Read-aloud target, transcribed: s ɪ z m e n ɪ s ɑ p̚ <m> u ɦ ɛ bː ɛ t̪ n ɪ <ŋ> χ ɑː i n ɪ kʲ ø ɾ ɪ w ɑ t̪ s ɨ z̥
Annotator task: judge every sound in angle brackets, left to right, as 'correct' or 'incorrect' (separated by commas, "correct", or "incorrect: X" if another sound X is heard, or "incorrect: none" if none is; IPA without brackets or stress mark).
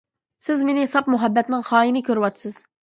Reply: correct, correct